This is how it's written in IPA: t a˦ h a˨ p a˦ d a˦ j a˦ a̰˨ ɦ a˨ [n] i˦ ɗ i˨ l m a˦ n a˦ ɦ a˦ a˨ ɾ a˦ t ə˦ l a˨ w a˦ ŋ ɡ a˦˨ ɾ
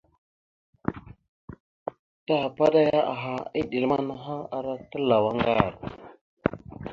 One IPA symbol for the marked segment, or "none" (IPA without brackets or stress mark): none